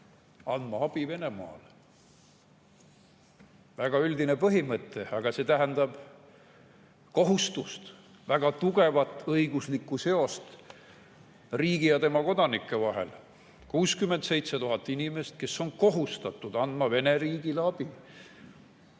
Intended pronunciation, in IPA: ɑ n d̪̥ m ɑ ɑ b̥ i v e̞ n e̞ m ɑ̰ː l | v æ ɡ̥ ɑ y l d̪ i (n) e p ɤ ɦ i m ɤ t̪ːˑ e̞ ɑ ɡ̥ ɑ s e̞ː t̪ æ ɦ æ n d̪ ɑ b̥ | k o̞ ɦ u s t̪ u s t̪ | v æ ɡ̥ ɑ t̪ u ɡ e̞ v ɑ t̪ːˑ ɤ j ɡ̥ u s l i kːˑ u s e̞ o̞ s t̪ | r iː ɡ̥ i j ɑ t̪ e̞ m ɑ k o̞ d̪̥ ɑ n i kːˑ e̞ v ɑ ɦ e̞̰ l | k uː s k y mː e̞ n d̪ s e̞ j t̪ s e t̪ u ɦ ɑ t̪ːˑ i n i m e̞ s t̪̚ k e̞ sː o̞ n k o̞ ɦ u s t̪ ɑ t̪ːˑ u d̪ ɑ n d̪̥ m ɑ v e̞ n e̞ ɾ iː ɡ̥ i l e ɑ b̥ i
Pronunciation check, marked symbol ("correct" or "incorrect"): correct